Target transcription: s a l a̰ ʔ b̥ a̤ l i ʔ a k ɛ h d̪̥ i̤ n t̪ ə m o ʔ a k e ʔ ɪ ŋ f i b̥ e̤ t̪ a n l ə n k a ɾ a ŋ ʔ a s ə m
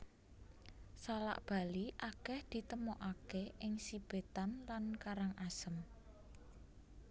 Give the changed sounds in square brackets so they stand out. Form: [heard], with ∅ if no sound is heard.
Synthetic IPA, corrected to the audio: s a l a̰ ʔ b̥ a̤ l i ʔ a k ɛ h d̪̥ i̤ [∅] t̪ ə m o ʔ a k e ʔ ɪ ŋ [s] i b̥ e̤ t̪ a n l [a] n k a ɾ a ŋ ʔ a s ə m